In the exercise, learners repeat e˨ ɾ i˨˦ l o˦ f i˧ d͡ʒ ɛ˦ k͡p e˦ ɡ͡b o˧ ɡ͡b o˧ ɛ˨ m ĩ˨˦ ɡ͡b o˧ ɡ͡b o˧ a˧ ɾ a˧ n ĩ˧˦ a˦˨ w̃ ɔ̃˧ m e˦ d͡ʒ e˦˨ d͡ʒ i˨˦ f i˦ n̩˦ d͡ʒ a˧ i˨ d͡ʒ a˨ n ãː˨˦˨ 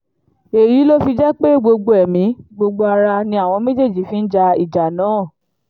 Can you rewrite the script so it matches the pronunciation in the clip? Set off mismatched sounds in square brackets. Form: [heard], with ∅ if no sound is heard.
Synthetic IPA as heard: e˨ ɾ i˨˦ l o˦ f i˧ d͡ʒ ɛ˦ k͡p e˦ ɡ͡b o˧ ɡ͡b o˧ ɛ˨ m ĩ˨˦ ɡ͡b o˧ ɡ͡b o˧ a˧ ɾ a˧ n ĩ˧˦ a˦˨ w̃ ɔ̃˧ m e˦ d͡ʒ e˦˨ d͡ʒ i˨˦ f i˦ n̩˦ d͡ʒ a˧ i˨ d͡ʒ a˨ n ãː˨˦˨